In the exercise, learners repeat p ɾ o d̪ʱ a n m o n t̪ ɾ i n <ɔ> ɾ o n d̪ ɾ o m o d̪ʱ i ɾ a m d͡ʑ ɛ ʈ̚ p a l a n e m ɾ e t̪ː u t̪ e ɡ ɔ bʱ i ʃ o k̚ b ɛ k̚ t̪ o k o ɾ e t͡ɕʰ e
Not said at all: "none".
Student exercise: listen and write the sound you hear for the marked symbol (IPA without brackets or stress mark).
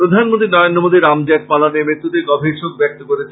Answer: ɔ